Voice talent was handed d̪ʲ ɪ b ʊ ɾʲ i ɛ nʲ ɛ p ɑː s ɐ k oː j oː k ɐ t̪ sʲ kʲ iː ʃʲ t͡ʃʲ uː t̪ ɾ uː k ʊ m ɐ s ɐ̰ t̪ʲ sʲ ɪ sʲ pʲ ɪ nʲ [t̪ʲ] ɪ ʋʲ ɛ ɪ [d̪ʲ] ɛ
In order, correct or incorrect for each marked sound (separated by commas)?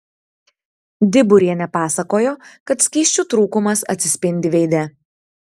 incorrect, correct